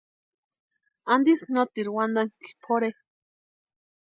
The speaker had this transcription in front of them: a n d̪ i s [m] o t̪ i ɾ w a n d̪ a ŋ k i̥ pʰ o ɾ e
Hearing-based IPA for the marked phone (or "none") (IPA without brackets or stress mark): n